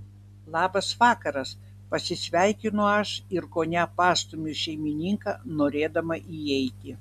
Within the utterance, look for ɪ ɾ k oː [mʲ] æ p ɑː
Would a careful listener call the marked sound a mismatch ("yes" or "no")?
yes